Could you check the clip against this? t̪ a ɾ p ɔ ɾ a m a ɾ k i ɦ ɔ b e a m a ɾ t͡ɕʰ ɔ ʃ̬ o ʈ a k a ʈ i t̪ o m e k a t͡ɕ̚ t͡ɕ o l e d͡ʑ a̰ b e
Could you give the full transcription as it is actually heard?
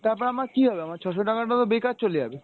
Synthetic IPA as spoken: t̪ a ɾ p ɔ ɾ a m a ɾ k i ɦ ɔ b e a m a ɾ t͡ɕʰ ɔ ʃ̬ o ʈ a k a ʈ a t̪ o b e k a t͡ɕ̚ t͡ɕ o l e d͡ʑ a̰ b e